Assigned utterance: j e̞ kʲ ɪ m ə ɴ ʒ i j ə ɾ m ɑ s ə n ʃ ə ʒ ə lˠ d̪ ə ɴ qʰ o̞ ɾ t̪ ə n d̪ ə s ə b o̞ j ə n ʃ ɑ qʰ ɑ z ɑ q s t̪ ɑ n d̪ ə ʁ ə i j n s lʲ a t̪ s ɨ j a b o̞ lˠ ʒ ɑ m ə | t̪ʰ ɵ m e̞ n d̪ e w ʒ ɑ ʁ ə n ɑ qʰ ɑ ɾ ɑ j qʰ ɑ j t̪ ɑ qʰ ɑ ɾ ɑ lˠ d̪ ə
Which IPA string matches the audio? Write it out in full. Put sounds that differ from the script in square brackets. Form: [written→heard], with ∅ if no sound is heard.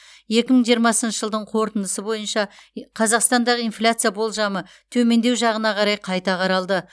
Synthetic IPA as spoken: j e̞ kʲ ɪ m ə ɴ ʒ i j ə ɾ m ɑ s ə n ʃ ə ʒ ə lˠ d̪ ə ɴ qʰ o̞ ɾ t̪ ə n d̪ ə s ə b o̞ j ə n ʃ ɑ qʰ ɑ z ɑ q s t̪ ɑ n d̪ [ə→ɑ] ʁ ə i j n [s→f] lʲ a t̪ s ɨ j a b o̞ lˠ ʒ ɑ m ə | t̪ʰ ɵ m e̞ n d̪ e w ʒ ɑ ʁ ə n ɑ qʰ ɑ ɾ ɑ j qʰ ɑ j t̪ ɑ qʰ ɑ ɾ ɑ lˠ d̪ ə